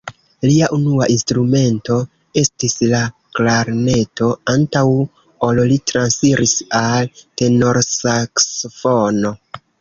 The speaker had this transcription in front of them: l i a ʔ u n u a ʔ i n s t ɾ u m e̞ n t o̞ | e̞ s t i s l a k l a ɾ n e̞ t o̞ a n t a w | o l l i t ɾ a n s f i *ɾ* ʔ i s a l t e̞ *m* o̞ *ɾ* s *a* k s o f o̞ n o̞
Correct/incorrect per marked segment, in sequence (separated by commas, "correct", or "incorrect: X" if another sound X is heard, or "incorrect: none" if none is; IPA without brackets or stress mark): correct, incorrect: n, correct, correct